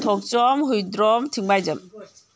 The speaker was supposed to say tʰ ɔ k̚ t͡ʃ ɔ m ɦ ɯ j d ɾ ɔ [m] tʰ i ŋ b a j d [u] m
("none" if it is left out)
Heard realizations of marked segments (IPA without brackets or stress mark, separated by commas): m, ɯ